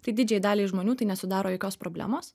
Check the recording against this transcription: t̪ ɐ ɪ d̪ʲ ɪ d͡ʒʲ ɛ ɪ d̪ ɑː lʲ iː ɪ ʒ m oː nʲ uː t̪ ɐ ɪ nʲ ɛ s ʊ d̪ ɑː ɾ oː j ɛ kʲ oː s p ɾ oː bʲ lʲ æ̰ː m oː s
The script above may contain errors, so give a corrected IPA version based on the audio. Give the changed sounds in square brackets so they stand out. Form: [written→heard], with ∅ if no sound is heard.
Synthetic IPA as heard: t̪ ɐ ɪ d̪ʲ ɪ d͡ʒʲ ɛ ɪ d̪ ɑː lʲ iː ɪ ʒ m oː nʲ uː t̪ ɐ ɪ nʲ ɛ s ʊ d̪ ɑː ɾ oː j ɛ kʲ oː s p ɾ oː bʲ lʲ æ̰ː m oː s